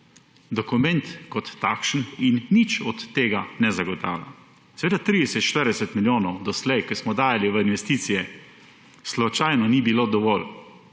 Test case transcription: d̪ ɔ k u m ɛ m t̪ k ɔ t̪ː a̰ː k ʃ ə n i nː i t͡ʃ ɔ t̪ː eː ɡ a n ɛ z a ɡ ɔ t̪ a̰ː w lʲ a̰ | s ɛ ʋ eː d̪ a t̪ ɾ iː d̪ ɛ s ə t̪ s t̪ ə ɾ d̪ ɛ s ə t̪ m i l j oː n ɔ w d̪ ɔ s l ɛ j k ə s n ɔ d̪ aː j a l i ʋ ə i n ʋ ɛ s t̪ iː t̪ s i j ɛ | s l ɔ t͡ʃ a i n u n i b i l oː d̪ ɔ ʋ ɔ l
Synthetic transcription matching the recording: d̪ ɔ k u m ɛ n t̪ k ɔ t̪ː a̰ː k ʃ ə n i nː i t͡ʃ ɔ t̪ː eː ɡ a n ɛ z a ɡ ɔ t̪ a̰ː w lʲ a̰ | s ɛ ʋ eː d̪ a t̪ ɾ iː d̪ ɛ s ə t̪ ʃ t̪ ə ɾ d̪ ɛ s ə t̪ m i l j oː n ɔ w d̪ ɔ s l ɛ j k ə s m ɔ d̪ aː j a l i ʋ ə i n ʋ ɛ s t̪ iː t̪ s i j ɛ | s l ɔ t͡ʃ a j n ɔ n i b i l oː d̪ ɔ ʋ ɔ l